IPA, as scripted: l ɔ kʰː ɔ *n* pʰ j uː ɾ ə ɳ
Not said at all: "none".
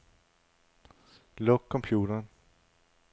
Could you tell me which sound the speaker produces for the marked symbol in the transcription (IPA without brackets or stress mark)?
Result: m